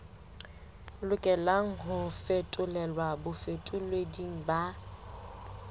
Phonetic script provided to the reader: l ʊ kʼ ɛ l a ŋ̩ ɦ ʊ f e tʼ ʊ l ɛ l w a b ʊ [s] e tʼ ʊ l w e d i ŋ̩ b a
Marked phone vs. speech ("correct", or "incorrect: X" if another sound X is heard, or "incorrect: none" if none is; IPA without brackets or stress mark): incorrect: f